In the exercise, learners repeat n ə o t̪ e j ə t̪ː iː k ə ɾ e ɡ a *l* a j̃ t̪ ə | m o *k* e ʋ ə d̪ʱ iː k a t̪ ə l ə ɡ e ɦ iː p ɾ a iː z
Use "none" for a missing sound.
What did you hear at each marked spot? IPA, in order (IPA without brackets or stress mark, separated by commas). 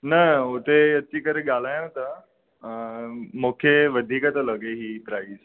l, kʰ